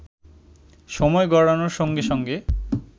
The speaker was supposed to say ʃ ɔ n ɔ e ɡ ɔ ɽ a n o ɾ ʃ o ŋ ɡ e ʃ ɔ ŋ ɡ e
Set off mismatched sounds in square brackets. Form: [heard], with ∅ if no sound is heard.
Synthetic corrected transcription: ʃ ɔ [m] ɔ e ɡ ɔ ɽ a n o ɾ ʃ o ŋ ɡ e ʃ ɔ ŋ ɡ e